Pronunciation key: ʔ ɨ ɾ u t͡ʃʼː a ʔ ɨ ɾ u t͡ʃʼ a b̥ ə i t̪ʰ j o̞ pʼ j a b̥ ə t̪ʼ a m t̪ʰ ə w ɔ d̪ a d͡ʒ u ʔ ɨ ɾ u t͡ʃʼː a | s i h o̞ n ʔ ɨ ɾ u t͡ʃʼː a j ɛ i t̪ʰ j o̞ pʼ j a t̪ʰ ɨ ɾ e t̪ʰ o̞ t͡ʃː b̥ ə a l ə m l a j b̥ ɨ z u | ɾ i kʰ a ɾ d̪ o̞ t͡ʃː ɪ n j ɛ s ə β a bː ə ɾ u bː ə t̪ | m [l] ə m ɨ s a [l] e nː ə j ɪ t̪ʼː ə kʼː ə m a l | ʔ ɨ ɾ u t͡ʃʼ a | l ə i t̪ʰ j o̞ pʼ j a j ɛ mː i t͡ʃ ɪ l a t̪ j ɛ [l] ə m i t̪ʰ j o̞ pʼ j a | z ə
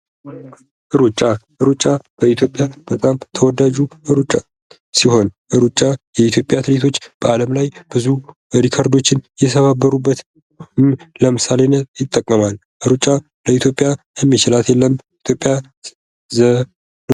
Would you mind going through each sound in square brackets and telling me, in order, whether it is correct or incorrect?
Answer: correct, correct, incorrect

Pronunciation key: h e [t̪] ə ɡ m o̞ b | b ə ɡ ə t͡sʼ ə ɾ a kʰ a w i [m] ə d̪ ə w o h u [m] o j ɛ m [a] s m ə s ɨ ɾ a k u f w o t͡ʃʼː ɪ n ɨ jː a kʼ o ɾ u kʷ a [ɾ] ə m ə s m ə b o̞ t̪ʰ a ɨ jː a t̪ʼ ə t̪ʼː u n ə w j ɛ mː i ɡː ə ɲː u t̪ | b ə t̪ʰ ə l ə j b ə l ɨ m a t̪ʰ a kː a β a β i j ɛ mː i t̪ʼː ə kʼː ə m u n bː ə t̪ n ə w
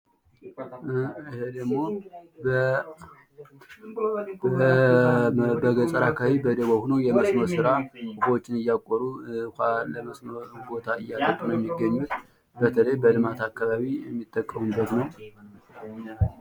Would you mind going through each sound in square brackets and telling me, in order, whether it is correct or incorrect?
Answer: incorrect, incorrect, incorrect, incorrect, incorrect

